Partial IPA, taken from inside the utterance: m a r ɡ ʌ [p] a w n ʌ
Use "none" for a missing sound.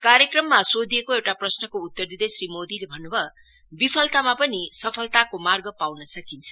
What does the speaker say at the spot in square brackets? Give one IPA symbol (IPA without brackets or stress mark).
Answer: p